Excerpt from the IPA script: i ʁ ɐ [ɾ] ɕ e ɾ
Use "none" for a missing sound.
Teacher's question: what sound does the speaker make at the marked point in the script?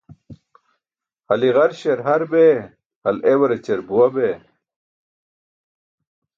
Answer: ɾ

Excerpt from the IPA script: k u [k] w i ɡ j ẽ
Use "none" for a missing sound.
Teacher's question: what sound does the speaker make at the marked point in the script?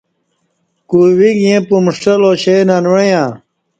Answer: none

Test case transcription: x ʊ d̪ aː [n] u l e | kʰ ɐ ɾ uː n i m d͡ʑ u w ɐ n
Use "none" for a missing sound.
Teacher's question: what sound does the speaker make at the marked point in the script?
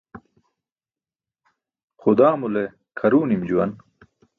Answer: m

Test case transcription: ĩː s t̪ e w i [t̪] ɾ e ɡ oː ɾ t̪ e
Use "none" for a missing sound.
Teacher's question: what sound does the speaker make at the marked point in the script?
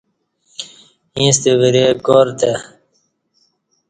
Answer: none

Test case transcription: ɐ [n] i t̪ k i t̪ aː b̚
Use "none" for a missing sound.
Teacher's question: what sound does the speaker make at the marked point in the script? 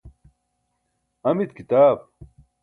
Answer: m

